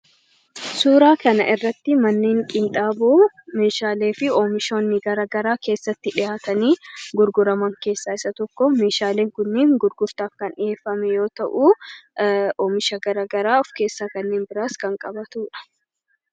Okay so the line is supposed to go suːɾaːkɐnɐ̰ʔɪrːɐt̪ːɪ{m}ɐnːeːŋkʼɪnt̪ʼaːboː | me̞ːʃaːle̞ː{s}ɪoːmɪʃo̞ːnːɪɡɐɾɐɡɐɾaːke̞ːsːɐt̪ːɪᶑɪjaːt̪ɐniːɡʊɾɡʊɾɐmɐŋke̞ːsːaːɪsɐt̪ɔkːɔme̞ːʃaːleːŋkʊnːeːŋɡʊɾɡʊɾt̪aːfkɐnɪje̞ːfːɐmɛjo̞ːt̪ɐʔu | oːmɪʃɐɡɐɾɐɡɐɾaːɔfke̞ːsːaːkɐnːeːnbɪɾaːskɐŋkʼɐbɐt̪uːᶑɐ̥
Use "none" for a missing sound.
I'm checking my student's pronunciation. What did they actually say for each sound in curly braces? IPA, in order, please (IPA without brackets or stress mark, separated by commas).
m, f